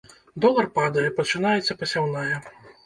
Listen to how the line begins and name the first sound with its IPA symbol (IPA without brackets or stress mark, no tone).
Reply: d̪